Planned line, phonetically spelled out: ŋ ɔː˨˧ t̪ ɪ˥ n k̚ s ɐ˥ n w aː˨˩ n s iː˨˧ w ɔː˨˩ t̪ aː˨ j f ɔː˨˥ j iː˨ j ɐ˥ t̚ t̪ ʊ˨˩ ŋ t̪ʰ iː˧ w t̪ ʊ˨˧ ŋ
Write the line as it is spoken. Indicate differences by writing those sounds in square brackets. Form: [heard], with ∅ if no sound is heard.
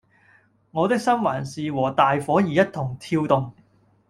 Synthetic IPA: ŋ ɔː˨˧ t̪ ɪ˥ [∅] k̚ s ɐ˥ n w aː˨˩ n s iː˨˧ w ɔː˨˩ t̪ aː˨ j f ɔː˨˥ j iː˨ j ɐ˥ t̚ [t̪ʰ] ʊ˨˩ ŋ t̪ʰ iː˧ w t̪ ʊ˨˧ ŋ

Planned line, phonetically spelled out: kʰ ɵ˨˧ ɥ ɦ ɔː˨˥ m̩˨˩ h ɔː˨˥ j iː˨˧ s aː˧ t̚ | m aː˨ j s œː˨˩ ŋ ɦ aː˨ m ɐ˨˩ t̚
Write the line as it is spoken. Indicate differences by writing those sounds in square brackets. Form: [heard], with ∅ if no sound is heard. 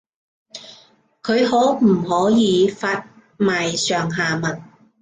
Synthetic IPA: kʰ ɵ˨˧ ɥ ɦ ɔː˨˥ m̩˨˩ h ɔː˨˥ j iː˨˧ [f] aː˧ t̚ | m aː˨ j s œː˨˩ ŋ ɦ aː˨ m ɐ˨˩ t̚

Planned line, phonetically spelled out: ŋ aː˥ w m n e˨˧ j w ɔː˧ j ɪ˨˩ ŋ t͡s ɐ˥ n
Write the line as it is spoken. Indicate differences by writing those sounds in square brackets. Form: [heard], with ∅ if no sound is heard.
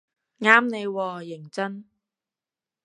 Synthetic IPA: ŋ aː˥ [∅] m n e˨˧ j w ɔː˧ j ɪ˨˩ ŋ t͡s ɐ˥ n

